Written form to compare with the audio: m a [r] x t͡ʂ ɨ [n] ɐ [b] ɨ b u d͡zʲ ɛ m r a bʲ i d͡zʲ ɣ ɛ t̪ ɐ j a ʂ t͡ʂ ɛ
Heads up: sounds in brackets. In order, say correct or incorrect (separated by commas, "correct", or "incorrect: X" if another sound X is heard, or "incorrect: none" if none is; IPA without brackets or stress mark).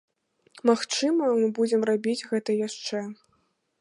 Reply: incorrect: none, incorrect: m, incorrect: m